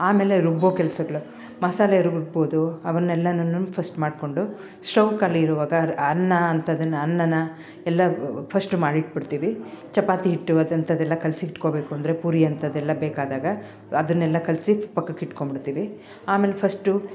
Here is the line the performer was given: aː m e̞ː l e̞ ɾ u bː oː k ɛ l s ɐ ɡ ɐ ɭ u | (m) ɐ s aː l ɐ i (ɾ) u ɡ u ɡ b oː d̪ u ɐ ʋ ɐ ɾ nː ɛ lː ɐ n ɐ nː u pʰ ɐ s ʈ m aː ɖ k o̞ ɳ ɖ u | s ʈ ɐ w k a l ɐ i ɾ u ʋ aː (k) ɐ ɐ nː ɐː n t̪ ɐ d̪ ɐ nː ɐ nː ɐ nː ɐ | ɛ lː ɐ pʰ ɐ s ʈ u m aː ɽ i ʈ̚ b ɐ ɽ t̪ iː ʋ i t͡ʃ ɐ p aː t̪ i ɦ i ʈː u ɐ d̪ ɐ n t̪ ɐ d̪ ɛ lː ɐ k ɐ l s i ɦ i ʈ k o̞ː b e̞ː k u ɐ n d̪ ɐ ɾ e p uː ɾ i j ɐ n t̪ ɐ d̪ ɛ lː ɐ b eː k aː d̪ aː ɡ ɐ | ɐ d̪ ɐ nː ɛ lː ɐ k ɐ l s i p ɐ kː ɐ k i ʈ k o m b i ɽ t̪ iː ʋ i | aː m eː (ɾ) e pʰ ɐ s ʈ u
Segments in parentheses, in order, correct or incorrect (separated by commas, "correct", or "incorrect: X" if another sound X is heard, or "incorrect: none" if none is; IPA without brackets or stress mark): correct, correct, incorrect: ɡ, incorrect: l